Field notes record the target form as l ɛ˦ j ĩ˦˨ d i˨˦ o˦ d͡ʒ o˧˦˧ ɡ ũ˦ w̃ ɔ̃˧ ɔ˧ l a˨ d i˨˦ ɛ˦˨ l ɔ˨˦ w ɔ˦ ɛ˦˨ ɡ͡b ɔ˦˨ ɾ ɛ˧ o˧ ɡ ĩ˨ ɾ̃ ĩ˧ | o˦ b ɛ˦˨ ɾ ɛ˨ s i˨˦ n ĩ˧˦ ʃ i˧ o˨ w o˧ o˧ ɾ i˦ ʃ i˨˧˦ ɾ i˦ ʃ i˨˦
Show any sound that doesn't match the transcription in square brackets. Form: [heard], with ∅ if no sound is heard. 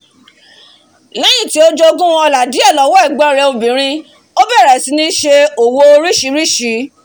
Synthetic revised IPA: l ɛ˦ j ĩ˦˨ [t] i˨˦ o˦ d͡ʒ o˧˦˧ ɡ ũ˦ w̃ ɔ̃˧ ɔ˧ l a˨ d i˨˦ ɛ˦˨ l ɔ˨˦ w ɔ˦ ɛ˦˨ ɡ͡b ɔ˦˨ ɾ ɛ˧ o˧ [b] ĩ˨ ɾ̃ ĩ˧ | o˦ b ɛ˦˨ ɾ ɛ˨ s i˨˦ n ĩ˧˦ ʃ [e˧] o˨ w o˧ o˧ ɾ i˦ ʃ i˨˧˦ ɾ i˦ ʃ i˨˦